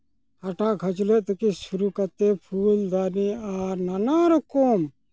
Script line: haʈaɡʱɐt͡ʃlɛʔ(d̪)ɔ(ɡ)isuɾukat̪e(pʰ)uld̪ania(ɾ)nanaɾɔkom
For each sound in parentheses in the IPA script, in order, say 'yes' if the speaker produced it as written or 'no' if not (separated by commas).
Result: no, no, yes, yes